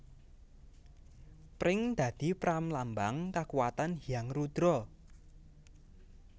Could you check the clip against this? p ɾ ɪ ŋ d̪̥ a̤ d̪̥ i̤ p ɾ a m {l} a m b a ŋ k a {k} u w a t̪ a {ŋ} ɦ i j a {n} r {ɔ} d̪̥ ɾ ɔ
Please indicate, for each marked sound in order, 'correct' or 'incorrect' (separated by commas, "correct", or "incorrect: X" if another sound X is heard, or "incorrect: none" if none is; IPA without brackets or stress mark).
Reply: correct, correct, incorrect: n, incorrect: ŋ, incorrect: u